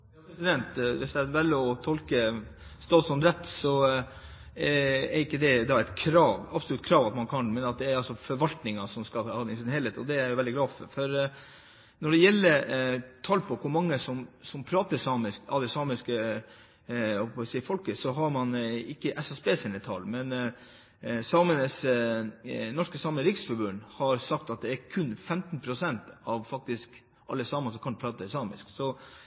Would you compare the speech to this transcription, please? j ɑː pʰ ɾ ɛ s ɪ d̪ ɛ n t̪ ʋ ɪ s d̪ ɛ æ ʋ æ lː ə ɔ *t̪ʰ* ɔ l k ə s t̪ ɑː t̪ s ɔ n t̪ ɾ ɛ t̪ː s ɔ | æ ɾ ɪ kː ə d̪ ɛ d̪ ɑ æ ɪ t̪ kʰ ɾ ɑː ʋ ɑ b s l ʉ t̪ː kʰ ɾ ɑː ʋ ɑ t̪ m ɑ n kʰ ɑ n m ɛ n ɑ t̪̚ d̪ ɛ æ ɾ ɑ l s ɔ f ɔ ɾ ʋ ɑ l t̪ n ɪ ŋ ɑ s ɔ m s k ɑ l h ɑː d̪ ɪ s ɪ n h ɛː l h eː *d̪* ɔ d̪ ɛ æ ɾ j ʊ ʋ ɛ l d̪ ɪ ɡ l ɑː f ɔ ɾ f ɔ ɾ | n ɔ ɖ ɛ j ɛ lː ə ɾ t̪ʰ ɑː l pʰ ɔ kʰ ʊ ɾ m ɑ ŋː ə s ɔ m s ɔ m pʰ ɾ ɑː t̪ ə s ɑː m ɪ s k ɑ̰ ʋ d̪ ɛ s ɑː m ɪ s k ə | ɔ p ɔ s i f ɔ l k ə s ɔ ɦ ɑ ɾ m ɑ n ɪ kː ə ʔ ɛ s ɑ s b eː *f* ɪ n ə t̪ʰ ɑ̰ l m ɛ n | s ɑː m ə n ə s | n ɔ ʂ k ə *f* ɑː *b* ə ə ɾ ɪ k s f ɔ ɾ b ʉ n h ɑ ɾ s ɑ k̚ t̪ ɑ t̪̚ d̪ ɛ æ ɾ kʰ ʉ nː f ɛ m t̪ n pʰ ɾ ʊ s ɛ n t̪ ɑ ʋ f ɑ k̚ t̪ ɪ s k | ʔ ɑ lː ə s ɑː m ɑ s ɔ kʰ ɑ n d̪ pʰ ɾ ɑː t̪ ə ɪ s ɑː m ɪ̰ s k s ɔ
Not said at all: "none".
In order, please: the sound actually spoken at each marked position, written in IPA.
t̪ʰ, t̪, s, s, m

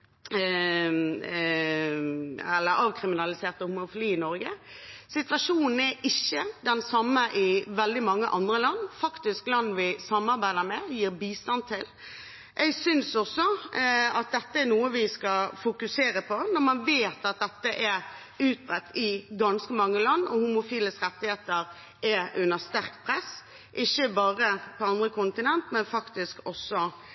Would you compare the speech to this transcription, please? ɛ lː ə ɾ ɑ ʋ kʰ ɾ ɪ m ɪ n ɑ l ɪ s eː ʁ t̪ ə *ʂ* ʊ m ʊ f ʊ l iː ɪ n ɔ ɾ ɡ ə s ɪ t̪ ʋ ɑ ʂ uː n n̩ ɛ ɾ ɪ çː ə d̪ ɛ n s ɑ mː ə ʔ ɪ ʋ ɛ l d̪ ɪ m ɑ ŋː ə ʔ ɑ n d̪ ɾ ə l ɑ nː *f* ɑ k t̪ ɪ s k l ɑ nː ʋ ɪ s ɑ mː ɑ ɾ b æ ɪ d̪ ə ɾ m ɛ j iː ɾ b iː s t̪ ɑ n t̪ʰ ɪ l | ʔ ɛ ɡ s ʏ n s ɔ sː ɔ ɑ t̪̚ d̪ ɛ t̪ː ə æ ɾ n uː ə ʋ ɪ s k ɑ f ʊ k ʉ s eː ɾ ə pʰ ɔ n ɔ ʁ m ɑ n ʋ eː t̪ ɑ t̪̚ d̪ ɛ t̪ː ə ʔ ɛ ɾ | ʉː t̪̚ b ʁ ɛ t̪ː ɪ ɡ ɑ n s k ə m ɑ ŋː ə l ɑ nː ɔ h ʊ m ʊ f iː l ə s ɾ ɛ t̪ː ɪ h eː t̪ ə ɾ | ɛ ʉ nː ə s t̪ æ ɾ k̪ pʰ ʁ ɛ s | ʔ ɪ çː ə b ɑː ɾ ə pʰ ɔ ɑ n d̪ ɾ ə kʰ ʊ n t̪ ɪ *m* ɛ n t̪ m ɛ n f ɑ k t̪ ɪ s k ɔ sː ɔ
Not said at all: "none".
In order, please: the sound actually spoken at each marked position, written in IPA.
h, f, n

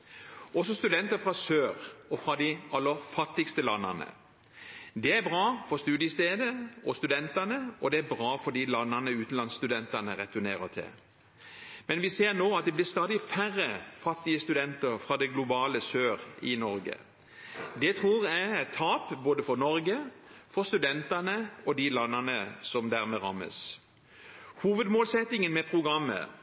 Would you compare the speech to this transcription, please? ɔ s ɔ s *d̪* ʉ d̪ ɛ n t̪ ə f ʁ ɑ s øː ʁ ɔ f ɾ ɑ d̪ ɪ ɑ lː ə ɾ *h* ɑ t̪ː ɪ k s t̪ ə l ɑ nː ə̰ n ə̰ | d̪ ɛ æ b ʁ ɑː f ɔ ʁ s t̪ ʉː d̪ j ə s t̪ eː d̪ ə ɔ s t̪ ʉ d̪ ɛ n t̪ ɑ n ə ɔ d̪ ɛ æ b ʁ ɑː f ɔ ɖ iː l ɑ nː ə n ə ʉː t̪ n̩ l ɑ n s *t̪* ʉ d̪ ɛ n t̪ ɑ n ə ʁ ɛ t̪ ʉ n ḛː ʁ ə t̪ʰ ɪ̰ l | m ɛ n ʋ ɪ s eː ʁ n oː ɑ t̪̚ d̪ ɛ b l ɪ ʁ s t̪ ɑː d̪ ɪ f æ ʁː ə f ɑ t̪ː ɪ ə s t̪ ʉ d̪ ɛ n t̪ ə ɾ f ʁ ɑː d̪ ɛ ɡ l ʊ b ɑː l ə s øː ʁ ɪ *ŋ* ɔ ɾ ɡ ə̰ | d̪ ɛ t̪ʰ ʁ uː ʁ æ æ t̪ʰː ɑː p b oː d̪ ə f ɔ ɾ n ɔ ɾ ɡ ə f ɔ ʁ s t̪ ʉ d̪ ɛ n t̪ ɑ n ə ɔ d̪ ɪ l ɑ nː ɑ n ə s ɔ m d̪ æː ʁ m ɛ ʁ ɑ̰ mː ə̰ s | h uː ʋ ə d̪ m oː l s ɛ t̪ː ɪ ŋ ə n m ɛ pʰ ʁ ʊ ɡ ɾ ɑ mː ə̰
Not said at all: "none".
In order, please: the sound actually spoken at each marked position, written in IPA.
t̪, f, t̪, n

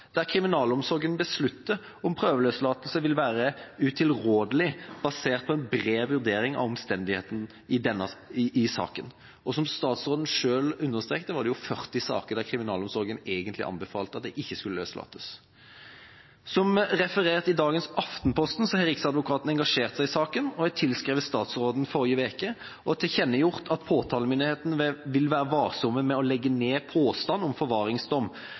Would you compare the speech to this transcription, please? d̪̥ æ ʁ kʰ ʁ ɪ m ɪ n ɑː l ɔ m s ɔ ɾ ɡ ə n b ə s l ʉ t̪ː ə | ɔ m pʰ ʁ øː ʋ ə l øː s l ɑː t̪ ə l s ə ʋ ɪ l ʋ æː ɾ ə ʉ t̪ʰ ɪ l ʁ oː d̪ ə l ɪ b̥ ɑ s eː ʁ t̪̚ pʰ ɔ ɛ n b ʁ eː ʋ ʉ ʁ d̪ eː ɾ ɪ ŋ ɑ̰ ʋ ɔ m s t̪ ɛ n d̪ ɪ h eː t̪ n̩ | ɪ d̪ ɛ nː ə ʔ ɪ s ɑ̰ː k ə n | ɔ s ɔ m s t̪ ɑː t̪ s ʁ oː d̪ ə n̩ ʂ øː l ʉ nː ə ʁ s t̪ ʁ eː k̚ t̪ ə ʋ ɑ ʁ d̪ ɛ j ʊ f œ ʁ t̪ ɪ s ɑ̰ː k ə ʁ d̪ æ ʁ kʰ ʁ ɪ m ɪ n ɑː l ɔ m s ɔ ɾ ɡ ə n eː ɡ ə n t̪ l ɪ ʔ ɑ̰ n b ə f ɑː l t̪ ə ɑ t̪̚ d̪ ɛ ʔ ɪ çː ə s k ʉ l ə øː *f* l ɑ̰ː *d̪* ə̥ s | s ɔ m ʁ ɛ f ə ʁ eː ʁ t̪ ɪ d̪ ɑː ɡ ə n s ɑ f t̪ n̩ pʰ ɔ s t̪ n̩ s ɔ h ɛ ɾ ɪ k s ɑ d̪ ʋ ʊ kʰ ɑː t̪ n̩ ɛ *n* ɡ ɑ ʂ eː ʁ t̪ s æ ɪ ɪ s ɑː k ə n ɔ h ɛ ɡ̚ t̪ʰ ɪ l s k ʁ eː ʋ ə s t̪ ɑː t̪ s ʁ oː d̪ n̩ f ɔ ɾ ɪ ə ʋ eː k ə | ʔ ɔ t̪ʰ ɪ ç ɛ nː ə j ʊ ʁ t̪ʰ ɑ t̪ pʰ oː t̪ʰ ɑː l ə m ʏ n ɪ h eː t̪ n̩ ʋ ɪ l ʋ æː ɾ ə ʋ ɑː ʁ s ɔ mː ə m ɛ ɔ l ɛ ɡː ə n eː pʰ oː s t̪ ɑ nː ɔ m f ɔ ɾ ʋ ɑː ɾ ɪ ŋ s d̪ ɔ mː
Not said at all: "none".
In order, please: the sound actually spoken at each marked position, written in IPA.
s, t̪, ŋ

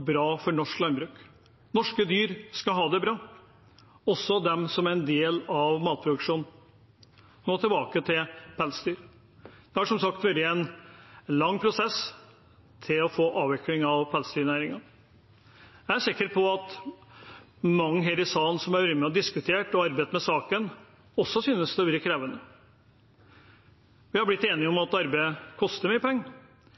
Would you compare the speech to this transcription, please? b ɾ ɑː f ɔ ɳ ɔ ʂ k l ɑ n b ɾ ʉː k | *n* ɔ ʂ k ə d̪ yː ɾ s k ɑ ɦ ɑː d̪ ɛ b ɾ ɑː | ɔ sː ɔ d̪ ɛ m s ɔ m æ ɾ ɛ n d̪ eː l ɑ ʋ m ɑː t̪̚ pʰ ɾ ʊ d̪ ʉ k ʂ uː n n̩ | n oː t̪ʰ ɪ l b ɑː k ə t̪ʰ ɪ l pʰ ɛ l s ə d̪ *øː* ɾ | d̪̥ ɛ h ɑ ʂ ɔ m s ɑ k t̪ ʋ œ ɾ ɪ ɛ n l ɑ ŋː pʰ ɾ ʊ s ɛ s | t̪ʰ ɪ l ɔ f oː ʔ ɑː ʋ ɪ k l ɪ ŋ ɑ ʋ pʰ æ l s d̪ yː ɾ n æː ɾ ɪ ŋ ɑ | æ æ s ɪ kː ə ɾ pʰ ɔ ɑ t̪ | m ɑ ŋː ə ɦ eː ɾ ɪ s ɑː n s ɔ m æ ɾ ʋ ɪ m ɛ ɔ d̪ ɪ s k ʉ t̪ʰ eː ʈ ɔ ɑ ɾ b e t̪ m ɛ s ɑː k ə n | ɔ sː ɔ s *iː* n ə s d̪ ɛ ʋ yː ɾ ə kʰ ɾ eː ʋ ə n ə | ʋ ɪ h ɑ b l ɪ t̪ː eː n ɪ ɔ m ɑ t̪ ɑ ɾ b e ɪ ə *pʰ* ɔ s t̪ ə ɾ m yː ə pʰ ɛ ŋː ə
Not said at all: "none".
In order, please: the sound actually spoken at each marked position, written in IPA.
n, yː, yː, kʰ

